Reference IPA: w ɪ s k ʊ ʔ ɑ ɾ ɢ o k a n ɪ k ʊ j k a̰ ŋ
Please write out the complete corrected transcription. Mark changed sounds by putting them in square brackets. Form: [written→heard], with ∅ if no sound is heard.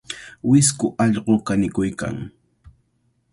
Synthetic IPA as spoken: w ɪ s k ʊ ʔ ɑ [ɾ→ʎ] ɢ o k a n ɪ k ʊ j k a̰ ŋ